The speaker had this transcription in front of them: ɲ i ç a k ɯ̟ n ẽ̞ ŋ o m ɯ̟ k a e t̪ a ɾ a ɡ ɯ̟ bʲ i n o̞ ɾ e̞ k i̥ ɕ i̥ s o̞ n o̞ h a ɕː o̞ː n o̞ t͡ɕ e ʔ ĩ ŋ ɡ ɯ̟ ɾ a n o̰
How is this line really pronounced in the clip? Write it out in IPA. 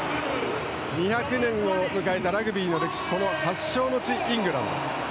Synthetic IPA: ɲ i ç a k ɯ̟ n ẽ̞ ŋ o m ɯ̟ k a e t̪ a ɾ a ɡ ɯ̟ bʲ iː n o̞ ɾ e̞ k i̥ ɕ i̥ s o̞ n o̞ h a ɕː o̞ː n o̞ t͡ɕ i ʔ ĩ ŋ ɡ ɯ̟ ɾ a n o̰